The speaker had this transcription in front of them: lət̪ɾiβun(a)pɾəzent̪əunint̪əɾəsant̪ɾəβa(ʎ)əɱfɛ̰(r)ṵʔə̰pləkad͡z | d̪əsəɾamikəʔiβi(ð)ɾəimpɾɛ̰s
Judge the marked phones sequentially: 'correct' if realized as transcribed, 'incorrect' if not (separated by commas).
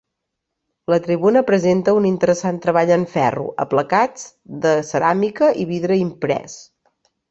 incorrect, correct, correct, correct